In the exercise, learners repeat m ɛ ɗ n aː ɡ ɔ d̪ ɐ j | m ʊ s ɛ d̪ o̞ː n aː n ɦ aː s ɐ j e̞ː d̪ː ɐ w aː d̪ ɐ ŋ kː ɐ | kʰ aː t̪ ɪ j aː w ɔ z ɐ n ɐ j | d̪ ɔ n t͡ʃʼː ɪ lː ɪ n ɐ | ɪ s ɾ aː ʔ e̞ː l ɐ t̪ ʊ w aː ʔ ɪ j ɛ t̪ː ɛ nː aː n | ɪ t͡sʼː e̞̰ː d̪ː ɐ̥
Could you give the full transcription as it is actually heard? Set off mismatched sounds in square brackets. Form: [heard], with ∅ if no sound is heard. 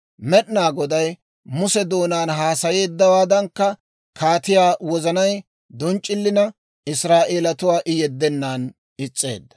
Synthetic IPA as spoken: m ɛ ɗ n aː ɡ ɔ d̪ ɐ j | m ʊ s ɛ d̪ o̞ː n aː n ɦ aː s ɐ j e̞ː d̪ː ɐ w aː d̪ ɐ ŋ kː ɐ | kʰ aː t̪ ɪ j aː w ɔ z ɐ n ɐ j | d̪ ɔ n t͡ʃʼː ɪ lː ɪ n ɐ | ɪ s ɾ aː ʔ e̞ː l ɐ t̪ ʊ w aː ʔ ɪ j ɛ [d̪ː] ɛ nː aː n | ɪ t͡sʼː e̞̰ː d̪ː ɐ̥